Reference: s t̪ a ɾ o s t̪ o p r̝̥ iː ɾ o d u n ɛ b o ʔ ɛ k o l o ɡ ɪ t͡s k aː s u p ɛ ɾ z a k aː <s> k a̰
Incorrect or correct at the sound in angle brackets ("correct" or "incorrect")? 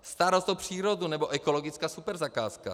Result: correct